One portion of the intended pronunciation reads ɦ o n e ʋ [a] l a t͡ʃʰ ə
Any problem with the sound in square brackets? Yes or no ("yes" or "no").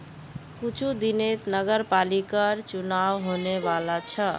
no